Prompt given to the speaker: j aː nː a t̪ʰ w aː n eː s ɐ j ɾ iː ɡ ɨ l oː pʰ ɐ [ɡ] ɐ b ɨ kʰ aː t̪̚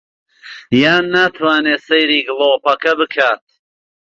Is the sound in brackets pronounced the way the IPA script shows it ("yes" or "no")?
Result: no